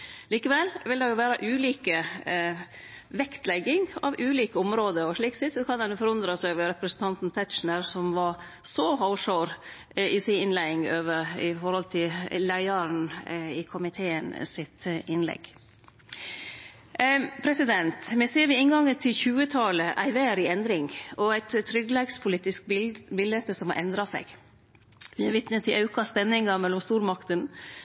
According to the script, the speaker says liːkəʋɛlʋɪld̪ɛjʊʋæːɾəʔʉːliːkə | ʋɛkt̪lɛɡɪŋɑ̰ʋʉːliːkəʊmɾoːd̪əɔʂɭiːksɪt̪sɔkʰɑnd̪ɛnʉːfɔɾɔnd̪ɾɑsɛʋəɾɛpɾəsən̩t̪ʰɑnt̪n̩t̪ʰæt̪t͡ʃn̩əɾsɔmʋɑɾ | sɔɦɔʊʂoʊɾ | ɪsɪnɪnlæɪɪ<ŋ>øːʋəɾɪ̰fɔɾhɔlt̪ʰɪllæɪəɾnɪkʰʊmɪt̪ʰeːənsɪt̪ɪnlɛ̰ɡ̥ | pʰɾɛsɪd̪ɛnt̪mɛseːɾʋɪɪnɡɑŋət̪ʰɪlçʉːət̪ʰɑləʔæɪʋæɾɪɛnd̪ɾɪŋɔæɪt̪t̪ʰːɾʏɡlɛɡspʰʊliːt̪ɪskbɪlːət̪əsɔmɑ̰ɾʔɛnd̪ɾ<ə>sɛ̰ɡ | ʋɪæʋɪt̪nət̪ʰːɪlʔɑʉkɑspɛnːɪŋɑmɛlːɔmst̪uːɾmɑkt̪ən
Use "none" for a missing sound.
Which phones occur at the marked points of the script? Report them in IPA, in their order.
ŋ, ɑ

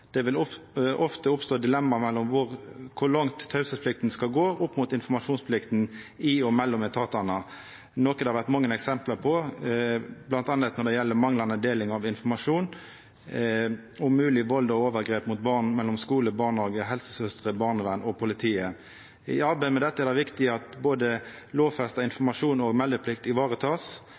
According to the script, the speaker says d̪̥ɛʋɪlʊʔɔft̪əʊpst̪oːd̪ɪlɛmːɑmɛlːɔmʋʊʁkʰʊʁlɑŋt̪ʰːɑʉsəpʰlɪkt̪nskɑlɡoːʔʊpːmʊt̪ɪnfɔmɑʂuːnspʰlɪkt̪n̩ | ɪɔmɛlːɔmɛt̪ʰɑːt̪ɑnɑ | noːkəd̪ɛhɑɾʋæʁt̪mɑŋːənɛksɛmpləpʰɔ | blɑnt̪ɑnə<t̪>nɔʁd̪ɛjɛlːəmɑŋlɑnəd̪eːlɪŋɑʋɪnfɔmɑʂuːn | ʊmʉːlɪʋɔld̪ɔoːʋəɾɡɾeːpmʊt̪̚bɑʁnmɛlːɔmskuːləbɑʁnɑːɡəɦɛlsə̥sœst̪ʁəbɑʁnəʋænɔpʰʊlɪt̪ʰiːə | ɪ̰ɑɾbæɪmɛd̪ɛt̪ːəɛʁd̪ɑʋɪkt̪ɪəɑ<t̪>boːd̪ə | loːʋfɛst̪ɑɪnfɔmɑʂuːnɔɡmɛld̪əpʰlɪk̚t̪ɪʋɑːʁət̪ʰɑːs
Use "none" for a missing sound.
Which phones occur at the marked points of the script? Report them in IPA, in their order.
t̪, t̪

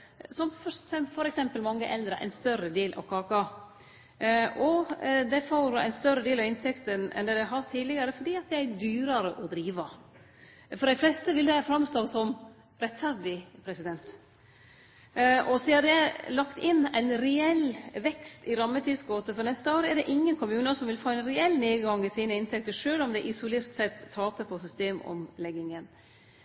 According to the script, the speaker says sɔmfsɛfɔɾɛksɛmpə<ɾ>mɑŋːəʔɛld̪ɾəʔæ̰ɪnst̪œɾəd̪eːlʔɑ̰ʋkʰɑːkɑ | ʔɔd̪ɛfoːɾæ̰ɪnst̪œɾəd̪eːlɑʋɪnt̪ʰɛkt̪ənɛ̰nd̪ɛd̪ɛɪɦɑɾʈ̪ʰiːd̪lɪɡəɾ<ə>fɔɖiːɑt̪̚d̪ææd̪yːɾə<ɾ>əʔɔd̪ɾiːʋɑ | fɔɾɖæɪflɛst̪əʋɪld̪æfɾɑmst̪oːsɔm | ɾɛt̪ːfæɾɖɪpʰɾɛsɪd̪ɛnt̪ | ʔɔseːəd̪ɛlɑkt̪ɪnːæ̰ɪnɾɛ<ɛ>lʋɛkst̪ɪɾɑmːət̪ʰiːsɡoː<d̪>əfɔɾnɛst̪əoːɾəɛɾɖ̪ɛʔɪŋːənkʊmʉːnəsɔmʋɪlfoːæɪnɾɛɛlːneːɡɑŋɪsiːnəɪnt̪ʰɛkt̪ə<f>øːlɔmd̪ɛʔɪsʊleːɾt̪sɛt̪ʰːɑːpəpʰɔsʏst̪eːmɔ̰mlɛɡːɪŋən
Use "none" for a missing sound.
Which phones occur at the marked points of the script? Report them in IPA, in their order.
l, ə, ɾ, ɛ, t̪, ʂ

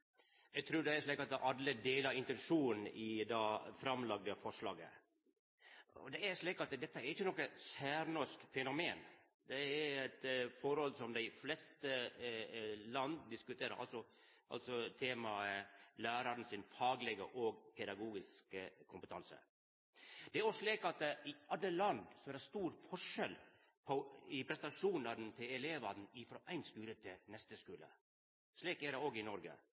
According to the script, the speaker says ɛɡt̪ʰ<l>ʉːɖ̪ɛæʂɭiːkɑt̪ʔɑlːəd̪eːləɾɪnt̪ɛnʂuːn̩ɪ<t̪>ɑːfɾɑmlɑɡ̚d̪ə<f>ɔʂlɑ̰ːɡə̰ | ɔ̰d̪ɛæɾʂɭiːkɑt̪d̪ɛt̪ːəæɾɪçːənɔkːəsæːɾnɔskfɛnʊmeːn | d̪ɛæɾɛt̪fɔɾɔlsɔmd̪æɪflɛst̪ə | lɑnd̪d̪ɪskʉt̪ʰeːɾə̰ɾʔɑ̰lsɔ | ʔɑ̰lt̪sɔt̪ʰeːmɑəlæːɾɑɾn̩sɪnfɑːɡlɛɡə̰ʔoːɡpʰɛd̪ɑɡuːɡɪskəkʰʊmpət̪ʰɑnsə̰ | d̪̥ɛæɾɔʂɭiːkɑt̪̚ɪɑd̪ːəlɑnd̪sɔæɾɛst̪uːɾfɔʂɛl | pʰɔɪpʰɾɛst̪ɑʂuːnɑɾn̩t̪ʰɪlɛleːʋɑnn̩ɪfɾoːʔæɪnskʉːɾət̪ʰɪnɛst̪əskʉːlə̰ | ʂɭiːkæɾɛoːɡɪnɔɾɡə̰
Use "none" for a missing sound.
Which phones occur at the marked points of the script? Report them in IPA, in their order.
ɾ, d̪, f

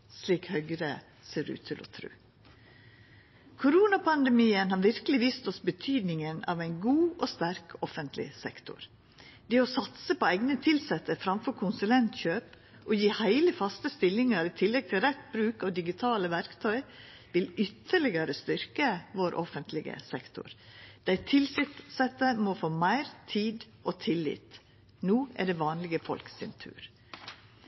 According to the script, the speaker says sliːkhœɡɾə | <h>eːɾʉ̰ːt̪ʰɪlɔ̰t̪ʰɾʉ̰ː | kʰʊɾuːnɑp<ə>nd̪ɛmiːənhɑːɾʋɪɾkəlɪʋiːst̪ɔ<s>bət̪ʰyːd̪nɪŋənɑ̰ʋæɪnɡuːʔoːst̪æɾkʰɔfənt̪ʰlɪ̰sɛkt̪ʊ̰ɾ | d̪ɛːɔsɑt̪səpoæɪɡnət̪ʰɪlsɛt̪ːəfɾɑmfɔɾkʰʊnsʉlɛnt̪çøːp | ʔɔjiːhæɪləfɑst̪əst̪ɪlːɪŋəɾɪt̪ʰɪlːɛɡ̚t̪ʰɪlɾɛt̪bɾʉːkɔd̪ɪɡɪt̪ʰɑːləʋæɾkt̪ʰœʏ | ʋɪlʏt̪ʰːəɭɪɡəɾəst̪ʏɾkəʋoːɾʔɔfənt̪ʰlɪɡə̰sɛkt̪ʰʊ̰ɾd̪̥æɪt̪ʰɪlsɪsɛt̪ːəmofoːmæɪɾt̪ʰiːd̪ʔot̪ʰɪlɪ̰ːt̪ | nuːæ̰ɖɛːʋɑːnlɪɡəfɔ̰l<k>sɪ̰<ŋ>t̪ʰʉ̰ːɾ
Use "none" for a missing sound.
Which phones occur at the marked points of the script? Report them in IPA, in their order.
s, ɑ, s, k, n

